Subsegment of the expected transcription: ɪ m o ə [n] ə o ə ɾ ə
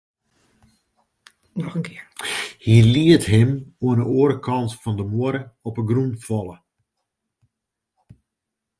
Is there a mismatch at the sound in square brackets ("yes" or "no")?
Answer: no